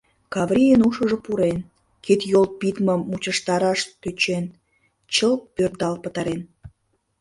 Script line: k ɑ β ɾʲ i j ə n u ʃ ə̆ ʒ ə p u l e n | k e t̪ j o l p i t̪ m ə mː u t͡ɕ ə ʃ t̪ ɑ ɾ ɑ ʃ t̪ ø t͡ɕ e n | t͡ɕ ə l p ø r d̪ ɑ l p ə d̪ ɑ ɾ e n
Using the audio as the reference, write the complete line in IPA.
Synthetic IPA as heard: k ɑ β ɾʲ i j ə n u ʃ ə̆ ʒ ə p u ɾ e n | k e t̪ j o l p i t̪ m ə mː u t͡ɕ ə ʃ t̪ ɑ ɾ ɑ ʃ t̪ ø t͡ɕ e n | t͡ɕ ə l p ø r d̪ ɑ l p ə t̪ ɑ ɾ e n